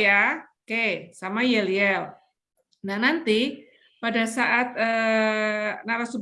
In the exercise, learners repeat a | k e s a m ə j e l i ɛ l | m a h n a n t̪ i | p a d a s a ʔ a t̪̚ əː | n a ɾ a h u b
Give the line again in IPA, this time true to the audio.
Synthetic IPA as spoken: a | k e s a m a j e l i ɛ l | n a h n a n t̪ i | p a d a s a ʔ a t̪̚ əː | n a ɾ a s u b